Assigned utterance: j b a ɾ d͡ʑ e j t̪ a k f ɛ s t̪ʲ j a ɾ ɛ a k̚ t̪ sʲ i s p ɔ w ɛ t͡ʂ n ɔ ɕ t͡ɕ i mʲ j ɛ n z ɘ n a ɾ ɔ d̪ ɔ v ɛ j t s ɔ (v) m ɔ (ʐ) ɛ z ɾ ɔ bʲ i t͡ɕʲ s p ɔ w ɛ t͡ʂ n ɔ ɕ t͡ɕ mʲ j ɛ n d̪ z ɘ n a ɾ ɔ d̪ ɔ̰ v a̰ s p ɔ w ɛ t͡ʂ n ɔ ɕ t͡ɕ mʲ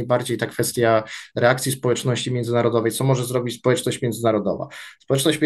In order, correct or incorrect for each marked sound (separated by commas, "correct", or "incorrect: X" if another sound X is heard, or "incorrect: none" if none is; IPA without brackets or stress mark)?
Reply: incorrect: none, correct